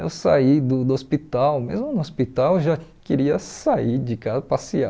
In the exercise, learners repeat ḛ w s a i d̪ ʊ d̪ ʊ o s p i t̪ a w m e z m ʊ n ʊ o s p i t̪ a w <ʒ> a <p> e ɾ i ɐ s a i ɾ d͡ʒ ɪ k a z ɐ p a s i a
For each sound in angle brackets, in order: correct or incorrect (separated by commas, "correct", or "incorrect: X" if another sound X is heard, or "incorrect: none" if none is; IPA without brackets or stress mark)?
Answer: correct, incorrect: k